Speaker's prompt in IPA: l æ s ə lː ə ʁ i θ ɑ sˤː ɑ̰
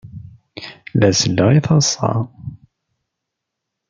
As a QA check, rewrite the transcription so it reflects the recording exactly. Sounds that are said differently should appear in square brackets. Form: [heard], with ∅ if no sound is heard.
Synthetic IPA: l æ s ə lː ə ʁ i θ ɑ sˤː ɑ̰

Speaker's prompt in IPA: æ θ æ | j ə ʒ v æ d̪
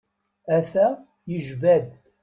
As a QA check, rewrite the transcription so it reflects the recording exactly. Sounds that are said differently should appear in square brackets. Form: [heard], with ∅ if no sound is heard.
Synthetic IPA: æ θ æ | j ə ʒ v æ d̪

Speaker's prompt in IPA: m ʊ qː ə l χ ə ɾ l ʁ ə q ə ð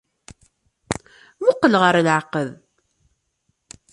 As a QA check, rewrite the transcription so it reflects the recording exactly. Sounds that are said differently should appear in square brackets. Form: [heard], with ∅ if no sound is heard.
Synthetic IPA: m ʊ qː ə l [ʁ] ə ɾ l [ʕ] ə q ə ð

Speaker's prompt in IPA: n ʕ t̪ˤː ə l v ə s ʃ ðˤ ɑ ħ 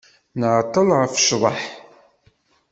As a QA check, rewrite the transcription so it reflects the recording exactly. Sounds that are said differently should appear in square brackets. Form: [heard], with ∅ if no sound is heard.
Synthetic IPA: n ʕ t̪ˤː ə l [ʁ] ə [f] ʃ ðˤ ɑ ħ

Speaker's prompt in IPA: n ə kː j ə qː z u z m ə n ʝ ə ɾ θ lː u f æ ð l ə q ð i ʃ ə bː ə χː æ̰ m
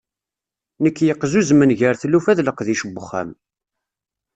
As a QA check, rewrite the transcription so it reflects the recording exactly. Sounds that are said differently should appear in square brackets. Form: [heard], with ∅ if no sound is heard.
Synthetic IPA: n ə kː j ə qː z u z m ə n ʝ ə ɾ θ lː u f æ ð l ə q ð i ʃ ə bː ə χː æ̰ m

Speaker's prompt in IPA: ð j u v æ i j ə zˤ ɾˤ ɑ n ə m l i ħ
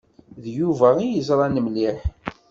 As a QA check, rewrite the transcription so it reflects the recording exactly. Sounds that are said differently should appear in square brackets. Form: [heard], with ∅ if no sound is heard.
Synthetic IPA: ð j u v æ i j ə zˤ ɾˤ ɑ n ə m l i ħ

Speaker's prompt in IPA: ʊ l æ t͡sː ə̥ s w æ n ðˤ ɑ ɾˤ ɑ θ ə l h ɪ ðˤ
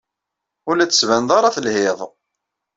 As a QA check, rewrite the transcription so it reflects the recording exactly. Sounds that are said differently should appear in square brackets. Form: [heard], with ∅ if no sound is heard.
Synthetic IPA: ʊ l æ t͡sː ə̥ s [v] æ n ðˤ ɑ ɾˤ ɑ θ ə l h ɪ ðˤ

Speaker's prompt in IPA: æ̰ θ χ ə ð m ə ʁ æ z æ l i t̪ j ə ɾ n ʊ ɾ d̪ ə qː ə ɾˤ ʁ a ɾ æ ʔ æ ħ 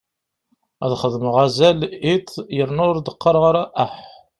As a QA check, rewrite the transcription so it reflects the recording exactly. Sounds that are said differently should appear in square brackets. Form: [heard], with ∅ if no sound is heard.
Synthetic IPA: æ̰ [ð] χ ə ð m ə ʁ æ z æ l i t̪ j ə ɾ n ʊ ɾ d̪ ə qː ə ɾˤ ʁ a ɾ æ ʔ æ ħ

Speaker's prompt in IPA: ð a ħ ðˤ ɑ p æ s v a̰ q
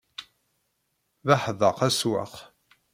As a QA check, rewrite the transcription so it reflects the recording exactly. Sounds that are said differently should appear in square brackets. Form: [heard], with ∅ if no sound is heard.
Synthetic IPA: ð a ħ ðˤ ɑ [q] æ s [w] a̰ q

